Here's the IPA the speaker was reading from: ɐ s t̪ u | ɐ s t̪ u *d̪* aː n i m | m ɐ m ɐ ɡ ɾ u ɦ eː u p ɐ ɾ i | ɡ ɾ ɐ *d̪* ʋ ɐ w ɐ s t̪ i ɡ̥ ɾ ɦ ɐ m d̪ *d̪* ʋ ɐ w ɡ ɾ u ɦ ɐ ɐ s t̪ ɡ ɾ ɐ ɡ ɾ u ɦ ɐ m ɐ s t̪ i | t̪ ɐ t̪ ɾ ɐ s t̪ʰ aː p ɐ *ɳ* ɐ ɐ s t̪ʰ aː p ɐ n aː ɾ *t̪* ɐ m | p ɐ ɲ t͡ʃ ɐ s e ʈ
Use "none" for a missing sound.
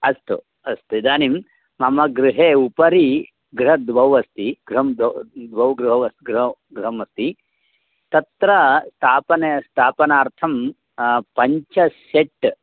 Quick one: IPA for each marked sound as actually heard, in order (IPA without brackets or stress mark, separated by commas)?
d̪, d̪, d̪, n, t̪ʰ